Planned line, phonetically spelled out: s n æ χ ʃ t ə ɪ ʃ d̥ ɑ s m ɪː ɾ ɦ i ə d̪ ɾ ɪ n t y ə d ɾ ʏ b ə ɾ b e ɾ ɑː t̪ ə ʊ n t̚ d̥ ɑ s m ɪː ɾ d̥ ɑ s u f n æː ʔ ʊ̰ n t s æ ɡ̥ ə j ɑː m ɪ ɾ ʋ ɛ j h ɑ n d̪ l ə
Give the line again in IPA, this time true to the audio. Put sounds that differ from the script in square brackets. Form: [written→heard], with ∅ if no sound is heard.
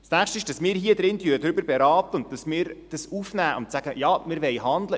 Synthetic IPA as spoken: s n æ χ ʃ t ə ɪ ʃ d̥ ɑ s m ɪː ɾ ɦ i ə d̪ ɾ ɪ n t y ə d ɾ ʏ b ə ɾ b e ɾ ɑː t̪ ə ʊ n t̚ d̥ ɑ s m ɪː ɾ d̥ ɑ s u f n æː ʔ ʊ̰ n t s æ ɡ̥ ə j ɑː m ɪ ɾ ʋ ɛ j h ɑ n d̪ l ə